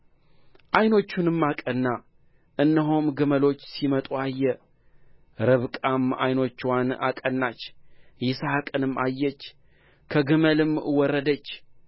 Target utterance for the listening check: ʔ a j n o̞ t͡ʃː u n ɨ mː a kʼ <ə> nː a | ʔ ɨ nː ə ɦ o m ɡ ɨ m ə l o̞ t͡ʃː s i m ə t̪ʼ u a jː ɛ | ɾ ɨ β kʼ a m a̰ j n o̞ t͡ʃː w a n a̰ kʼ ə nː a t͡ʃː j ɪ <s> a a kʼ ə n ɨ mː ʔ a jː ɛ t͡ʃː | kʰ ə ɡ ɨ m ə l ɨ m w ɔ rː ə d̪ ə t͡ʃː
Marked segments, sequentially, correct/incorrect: correct, correct

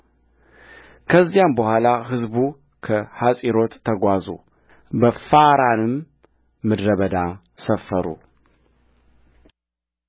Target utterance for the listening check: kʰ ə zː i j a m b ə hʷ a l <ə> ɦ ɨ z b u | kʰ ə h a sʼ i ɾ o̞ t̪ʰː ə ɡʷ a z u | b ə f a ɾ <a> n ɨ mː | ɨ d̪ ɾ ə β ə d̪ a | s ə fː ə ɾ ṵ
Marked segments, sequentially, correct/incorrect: incorrect, correct

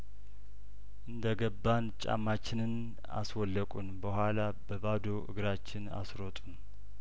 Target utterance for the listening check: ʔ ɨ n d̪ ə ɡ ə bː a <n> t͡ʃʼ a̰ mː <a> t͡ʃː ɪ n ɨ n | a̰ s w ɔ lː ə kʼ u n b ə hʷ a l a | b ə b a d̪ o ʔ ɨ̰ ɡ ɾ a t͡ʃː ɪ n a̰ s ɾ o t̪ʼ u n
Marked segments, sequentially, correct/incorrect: correct, correct

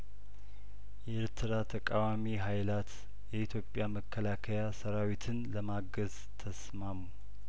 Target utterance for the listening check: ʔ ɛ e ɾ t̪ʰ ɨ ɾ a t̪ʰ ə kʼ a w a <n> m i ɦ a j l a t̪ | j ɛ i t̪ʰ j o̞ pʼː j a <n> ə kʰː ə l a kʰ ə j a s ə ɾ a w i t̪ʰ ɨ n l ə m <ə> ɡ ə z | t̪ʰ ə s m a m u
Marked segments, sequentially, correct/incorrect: incorrect, incorrect, incorrect

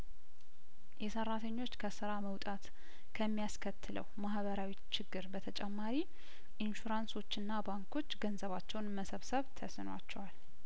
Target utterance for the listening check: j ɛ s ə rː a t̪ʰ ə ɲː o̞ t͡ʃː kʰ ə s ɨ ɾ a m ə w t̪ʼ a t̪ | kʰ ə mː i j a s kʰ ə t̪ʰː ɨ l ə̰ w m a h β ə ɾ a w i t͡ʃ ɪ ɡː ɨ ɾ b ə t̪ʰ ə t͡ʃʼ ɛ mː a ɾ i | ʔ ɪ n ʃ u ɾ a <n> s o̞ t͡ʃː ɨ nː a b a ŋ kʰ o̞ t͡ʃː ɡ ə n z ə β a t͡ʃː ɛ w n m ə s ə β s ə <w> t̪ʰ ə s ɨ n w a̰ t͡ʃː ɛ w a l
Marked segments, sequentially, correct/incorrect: correct, incorrect

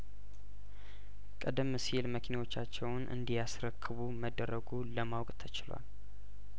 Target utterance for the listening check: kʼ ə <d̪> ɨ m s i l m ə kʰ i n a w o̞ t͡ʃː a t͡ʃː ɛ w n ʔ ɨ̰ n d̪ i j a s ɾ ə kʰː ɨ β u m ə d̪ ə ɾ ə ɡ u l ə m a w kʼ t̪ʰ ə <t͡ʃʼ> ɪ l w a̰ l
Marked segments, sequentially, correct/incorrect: correct, incorrect

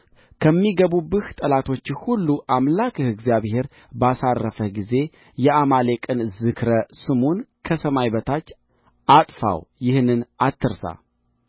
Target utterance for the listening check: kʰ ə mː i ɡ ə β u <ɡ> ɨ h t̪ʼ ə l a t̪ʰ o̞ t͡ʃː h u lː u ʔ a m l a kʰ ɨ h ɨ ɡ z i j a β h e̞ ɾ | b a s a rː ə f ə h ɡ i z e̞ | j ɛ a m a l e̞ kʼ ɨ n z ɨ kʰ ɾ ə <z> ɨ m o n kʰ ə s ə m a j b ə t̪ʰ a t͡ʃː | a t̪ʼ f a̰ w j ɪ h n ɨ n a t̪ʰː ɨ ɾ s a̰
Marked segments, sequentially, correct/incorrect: incorrect, incorrect

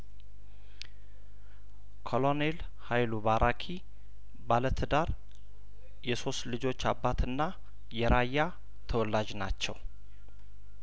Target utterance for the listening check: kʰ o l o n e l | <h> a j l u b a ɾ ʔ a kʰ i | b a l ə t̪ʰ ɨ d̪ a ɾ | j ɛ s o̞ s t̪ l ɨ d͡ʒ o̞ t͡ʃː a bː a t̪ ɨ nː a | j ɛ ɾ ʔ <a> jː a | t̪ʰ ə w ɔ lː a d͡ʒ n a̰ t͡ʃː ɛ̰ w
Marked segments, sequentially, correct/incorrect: correct, correct

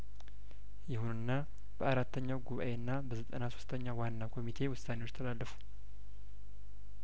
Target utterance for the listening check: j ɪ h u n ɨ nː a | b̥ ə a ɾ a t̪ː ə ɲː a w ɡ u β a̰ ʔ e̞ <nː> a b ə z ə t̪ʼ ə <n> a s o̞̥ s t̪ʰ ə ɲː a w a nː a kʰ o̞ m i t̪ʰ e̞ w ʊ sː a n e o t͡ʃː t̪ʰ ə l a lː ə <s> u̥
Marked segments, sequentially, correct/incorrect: correct, correct, incorrect

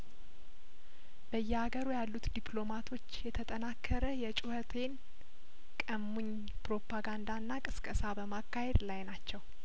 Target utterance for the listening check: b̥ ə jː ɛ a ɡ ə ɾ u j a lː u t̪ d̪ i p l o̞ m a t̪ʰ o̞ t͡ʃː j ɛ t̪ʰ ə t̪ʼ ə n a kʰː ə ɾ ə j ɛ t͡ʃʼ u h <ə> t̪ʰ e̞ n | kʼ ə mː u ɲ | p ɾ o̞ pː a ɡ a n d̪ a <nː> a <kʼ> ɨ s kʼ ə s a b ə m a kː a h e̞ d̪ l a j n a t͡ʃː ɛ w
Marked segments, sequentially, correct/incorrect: correct, correct, correct

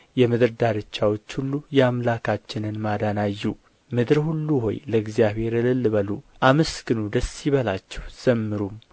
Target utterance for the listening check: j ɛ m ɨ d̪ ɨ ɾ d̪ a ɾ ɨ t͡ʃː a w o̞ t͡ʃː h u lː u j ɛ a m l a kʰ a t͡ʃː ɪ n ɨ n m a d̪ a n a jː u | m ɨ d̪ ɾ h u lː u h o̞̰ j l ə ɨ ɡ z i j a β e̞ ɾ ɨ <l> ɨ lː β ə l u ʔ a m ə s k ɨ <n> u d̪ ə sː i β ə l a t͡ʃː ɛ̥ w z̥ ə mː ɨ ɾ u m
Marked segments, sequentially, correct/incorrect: correct, correct

